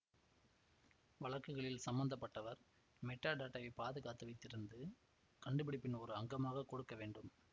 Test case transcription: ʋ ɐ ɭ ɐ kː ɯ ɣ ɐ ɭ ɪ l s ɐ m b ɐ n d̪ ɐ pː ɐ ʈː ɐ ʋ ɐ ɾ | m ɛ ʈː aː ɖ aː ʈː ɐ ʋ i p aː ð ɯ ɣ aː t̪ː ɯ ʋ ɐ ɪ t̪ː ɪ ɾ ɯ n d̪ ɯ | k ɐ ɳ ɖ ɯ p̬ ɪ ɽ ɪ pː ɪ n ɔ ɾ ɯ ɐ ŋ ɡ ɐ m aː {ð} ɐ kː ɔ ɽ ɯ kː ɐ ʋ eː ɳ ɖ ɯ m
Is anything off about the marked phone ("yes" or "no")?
yes